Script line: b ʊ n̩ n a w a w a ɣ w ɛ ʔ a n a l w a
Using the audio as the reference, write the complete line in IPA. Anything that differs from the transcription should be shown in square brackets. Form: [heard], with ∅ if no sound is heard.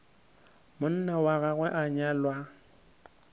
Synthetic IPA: [m] ʊ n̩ n a w a [ɣ] a ɣ w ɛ ʔ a [ɲ] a l w a